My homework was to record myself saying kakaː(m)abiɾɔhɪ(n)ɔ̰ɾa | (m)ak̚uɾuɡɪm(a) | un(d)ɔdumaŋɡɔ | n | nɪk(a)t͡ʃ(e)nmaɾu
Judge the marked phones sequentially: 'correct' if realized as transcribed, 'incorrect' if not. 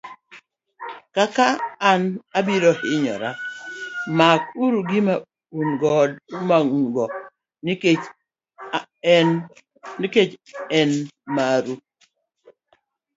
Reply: incorrect, incorrect, correct, correct, incorrect, incorrect, incorrect

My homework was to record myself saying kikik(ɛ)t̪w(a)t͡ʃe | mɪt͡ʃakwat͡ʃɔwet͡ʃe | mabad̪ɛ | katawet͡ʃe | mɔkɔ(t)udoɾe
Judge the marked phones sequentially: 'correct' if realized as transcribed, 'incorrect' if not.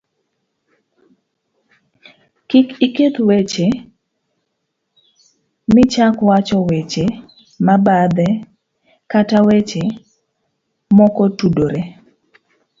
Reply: incorrect, incorrect, correct

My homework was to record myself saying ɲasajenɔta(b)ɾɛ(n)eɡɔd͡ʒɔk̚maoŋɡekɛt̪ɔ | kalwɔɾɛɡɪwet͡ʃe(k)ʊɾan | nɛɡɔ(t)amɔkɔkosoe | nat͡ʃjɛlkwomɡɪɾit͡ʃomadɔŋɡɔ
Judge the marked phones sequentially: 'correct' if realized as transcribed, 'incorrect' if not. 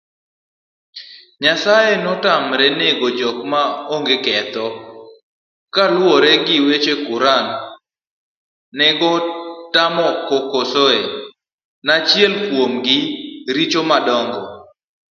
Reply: incorrect, correct, correct, correct

